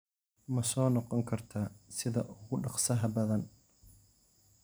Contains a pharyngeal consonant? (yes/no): no